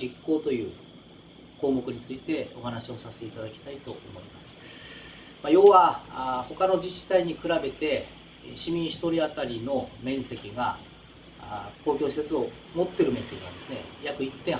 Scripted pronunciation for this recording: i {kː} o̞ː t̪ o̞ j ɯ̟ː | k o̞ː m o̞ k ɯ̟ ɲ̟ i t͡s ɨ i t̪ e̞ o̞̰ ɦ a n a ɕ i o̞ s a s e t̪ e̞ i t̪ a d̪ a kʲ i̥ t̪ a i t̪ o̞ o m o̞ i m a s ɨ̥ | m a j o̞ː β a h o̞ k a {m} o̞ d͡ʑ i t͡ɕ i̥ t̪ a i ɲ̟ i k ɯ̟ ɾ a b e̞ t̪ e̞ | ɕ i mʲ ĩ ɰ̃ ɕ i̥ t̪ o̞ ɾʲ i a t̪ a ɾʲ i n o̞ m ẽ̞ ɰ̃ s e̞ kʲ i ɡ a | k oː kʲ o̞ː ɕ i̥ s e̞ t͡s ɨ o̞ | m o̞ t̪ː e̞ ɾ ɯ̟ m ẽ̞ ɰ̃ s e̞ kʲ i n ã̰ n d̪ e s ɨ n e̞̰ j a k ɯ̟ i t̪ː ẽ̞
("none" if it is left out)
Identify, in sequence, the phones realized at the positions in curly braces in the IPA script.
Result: kː, n

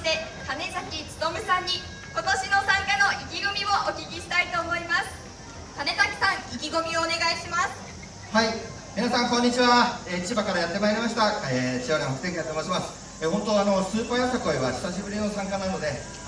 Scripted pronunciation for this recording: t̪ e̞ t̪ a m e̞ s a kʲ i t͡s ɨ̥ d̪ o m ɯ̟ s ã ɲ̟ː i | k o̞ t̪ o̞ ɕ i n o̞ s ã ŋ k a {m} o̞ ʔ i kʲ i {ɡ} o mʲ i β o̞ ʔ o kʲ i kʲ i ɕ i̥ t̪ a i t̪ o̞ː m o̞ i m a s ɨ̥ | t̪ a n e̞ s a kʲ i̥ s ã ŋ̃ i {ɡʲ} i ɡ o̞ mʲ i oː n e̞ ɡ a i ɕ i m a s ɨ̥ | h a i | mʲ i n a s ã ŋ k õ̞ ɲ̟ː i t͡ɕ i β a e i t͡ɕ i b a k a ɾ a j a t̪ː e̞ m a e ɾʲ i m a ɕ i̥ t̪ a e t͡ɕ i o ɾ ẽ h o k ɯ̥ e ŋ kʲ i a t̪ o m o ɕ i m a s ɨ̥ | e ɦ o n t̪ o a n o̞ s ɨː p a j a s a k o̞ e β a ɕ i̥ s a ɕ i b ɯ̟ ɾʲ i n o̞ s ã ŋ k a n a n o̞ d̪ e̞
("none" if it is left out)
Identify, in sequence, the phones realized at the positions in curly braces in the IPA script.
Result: n, ɡ, kʲ

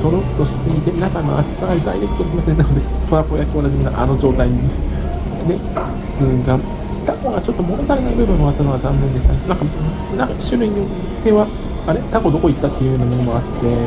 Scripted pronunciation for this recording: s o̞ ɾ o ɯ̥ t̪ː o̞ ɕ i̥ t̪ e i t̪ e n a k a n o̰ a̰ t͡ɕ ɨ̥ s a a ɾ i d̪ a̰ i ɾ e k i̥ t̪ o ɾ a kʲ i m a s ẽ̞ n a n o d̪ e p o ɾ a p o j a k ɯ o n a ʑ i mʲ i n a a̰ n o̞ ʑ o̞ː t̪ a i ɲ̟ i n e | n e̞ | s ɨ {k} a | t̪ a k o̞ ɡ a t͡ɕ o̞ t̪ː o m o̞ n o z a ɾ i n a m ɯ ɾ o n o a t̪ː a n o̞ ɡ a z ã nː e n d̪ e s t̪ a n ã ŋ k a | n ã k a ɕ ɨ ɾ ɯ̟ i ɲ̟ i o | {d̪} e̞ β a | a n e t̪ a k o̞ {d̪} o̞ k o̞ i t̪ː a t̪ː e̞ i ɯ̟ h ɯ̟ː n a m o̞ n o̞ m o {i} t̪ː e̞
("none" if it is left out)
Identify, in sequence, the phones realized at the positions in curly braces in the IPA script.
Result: ɡ, t̪, d̪, a

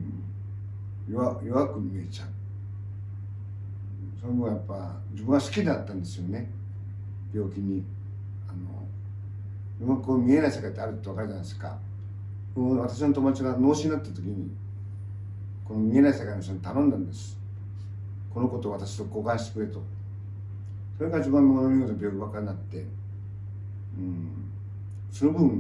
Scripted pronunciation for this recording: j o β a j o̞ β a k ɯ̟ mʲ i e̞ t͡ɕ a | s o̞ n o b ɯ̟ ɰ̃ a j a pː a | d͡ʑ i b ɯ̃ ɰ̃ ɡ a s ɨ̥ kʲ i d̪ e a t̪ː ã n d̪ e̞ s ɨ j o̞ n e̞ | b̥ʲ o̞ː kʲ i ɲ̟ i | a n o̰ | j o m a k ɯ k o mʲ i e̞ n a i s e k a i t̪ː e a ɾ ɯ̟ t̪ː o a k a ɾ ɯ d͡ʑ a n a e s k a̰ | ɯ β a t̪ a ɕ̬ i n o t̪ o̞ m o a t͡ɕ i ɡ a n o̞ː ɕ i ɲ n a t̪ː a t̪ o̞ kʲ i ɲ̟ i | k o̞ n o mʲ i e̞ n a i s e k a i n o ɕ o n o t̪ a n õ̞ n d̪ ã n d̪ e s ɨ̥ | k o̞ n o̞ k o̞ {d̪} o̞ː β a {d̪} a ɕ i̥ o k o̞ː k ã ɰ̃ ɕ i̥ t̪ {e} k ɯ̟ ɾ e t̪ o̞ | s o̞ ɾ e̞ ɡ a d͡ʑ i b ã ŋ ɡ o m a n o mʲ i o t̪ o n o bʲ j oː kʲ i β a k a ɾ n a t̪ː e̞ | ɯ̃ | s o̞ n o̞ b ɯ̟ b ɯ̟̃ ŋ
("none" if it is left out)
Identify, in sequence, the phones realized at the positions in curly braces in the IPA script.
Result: t̪, t̪, e

